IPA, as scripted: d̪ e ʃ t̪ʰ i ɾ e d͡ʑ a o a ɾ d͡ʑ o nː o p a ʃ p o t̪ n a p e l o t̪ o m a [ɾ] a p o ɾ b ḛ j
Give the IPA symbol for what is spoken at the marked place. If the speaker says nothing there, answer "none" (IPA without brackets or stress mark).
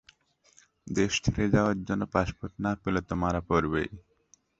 ɾ